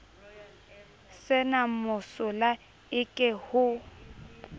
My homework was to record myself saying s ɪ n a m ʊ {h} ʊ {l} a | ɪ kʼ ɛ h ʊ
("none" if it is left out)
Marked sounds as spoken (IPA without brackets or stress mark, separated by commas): s, l